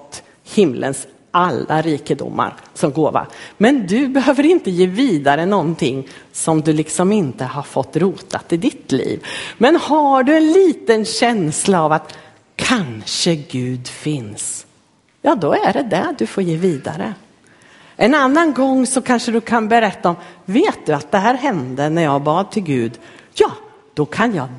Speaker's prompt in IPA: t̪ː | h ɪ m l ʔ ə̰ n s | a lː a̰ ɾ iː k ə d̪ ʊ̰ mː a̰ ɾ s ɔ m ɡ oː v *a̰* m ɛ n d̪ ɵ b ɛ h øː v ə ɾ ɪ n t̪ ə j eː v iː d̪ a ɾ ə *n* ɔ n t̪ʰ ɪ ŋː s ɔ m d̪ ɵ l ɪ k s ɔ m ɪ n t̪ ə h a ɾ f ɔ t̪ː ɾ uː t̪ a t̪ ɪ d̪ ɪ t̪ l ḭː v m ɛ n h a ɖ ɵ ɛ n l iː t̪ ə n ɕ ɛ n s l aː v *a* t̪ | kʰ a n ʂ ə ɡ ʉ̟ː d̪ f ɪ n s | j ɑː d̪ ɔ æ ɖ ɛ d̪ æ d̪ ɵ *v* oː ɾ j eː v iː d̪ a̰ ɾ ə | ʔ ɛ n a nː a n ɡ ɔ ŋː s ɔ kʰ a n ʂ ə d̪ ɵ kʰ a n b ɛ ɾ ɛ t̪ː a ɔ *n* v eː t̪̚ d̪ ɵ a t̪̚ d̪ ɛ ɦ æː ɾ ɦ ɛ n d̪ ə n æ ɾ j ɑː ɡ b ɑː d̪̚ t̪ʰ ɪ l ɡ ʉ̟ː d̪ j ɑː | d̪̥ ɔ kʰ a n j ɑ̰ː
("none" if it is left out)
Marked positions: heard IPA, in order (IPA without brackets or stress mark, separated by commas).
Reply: a̰, n, a, f, m